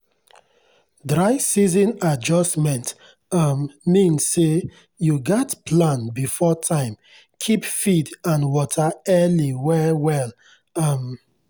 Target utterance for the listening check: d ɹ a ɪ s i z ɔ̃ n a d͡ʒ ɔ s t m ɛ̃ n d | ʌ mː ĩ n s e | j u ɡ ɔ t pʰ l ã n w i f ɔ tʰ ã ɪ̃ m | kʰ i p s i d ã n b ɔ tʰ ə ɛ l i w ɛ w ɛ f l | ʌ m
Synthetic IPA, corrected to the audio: d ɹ a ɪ s i z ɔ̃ n a d͡ʒ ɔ s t m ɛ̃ n t | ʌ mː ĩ n s e | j u ɡ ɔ t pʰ l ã n b i f ɔ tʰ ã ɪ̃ m | kʰ i p f i d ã n w ɔ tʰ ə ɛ l i w ɛ w ɛ l | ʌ m